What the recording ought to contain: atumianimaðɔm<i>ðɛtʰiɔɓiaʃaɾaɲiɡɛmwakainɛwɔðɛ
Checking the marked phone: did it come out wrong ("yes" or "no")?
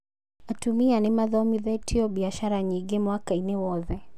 no